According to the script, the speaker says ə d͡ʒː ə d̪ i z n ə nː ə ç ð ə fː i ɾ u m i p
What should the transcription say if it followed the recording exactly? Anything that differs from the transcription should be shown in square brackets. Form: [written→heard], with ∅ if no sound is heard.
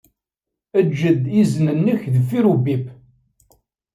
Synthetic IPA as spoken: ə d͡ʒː ə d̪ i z n ə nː ə ç ð ə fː i ɾ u [m→b] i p